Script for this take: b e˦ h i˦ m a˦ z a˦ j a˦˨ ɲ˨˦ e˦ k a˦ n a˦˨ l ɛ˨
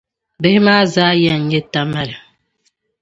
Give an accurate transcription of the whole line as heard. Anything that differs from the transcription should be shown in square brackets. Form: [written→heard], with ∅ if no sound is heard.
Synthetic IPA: b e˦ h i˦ m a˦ z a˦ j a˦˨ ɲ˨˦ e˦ [k→t] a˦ [n→m] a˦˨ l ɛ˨